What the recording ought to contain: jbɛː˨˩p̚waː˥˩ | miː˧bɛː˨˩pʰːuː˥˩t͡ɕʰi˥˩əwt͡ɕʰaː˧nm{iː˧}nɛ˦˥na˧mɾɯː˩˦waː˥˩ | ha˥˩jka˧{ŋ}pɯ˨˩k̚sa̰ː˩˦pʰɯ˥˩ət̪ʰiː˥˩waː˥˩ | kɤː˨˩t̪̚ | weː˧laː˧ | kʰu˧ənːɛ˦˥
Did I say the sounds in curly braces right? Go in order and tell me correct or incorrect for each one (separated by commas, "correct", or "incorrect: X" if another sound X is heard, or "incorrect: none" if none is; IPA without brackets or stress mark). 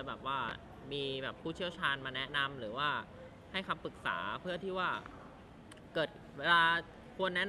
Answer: incorrect: aː˧, incorrect: m